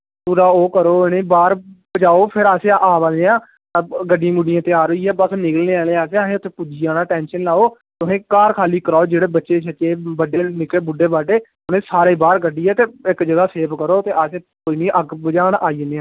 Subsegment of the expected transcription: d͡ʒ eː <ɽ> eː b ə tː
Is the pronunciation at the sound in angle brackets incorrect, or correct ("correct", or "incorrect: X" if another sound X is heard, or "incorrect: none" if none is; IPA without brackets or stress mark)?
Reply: correct